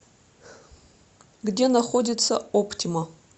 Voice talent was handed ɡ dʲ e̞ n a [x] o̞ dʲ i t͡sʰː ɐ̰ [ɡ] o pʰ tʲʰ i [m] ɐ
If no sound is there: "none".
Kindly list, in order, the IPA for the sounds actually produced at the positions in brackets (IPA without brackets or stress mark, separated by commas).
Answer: χ, none, m